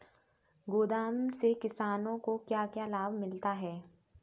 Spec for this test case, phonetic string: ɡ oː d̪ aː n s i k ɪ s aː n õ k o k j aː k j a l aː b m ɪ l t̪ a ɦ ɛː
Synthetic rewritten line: ɡ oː d̪ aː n s e k ɪ s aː n õ k o k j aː k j a l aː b m ɪ l t̪ a ɦ ɛː